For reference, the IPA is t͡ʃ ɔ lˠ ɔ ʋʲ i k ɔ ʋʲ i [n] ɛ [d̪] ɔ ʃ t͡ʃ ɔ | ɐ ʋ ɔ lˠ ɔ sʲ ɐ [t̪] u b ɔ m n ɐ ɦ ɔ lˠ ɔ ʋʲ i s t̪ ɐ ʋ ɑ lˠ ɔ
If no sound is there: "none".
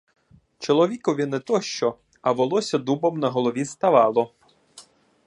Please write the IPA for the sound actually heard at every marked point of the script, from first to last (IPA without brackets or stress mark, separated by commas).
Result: n, t̪, d̪